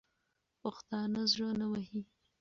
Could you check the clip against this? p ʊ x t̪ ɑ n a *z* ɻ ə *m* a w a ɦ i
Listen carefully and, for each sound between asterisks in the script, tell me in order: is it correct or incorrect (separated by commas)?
correct, incorrect